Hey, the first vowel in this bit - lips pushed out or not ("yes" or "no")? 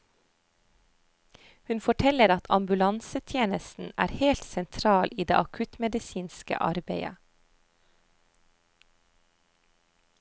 yes